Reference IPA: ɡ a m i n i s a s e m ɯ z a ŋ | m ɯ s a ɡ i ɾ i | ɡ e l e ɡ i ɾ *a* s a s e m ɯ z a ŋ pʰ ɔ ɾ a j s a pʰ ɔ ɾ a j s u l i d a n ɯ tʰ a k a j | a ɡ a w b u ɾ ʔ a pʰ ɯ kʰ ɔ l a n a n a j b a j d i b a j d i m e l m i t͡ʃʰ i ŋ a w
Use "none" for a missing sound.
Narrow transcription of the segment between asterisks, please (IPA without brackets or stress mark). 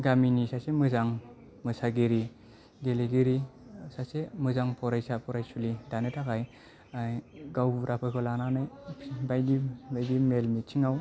i